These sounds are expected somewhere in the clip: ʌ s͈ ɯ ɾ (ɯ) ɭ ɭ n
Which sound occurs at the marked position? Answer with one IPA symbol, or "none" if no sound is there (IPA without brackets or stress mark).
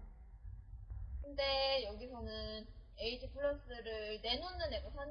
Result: ɯ